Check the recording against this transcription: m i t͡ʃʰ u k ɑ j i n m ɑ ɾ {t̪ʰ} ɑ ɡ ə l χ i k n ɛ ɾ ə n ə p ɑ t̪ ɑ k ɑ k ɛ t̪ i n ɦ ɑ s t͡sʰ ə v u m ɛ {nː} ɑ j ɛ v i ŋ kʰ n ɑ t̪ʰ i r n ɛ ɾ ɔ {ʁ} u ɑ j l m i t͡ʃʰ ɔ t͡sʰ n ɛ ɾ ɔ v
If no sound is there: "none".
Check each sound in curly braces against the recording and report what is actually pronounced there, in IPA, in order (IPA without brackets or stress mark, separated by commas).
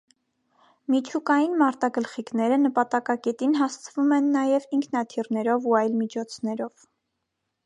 t̪, nː, v